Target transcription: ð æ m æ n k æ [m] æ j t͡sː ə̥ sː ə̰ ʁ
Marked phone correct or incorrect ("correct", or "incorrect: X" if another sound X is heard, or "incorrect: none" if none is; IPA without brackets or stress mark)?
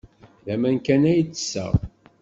incorrect: n